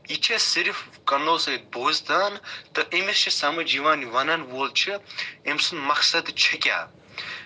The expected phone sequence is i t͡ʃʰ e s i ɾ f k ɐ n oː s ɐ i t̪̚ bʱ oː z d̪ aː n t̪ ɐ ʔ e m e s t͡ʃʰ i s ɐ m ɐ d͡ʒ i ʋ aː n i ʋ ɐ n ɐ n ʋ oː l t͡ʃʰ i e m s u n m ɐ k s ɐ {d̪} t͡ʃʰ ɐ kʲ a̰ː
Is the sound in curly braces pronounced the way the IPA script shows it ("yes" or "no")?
yes